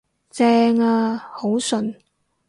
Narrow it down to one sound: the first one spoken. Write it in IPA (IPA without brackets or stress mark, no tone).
t͡s